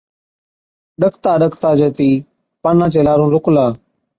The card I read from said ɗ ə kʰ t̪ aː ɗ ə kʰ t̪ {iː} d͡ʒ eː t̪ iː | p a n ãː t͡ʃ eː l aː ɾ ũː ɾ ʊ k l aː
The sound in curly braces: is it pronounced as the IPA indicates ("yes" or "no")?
no